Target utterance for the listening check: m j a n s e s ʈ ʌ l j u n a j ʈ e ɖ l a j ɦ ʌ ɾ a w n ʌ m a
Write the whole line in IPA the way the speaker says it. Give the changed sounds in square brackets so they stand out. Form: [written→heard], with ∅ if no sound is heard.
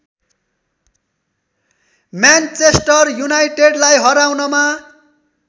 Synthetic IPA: m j a n [s→t͡s] e s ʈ ʌ [l→r] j u n a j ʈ e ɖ l a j ɦ ʌ ɾ a w n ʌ m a